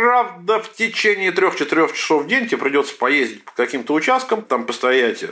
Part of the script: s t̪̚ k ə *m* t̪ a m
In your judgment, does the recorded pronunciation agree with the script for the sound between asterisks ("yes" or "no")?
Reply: yes